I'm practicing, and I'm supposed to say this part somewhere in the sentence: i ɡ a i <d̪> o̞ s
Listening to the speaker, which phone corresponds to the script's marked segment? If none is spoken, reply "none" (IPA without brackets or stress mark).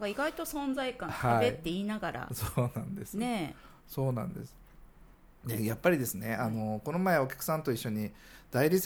t̪